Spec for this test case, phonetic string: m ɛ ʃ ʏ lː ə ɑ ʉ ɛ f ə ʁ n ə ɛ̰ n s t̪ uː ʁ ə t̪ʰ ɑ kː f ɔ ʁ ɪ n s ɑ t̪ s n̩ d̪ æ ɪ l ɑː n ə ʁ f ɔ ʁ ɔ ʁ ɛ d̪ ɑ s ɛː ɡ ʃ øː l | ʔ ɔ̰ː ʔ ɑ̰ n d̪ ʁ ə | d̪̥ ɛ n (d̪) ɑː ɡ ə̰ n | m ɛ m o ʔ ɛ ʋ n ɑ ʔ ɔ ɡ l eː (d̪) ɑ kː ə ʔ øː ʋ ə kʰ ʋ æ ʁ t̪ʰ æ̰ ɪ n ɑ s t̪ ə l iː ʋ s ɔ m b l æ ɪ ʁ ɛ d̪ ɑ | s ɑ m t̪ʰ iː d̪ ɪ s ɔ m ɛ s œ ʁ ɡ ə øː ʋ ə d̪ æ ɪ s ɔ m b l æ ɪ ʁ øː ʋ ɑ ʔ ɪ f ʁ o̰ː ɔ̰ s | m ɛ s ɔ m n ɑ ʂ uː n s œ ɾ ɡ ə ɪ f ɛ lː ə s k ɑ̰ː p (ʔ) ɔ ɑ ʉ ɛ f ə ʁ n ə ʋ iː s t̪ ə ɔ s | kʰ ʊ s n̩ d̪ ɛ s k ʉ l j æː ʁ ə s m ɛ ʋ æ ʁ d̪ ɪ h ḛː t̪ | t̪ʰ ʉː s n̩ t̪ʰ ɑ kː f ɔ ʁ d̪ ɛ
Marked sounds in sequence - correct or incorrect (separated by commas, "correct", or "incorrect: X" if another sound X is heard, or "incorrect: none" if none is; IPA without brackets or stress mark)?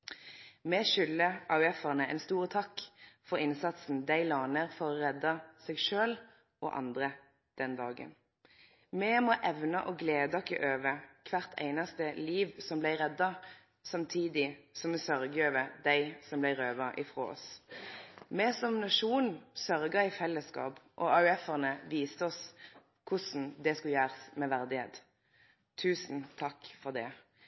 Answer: correct, correct, correct